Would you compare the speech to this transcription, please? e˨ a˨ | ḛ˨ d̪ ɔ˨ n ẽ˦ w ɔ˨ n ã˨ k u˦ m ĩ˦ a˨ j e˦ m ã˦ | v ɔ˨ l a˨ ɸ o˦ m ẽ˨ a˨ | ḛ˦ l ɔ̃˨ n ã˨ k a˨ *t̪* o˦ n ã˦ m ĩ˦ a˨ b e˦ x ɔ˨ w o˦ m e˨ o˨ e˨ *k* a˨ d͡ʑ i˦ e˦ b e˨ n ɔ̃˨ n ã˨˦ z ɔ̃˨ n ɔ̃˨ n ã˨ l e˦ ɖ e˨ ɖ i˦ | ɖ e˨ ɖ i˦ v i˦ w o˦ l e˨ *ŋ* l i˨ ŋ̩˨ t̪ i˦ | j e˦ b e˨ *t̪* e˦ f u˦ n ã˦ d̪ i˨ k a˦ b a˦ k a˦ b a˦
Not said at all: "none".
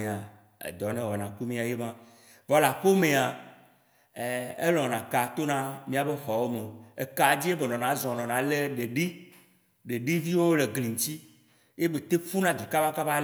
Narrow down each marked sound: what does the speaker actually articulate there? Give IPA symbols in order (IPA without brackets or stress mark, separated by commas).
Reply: t̪, k, ɡ, t̪